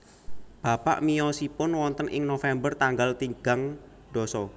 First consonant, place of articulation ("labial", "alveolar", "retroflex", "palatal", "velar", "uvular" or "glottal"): labial